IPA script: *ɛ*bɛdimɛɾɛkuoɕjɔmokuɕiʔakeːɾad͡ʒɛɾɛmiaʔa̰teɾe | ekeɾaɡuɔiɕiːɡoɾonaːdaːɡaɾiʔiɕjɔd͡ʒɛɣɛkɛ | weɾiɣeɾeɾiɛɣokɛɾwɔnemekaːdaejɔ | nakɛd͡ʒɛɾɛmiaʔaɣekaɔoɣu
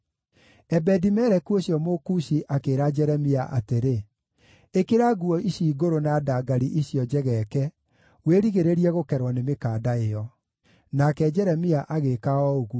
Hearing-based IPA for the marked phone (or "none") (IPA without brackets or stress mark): ɛ